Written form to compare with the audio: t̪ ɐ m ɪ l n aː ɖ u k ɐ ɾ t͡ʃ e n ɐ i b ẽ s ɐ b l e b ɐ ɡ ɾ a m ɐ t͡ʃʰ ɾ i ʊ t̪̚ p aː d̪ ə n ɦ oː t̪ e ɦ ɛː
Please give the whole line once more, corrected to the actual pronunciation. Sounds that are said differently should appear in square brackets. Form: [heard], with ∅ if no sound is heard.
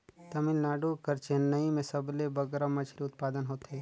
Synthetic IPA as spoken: t̪ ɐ m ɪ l n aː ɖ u k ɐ ɾ t͡ʃ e n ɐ i [m] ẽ s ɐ b l e b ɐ ɡ ɾ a m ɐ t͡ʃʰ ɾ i ʊ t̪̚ p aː d̪ ə n ɦ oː t̪ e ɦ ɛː